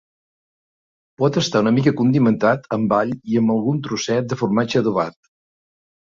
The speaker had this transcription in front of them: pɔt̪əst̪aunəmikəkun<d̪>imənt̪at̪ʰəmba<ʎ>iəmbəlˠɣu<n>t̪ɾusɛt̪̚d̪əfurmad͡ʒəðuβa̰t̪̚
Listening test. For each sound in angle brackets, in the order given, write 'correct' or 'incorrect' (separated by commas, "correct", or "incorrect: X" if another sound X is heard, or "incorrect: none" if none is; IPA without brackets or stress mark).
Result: correct, correct, correct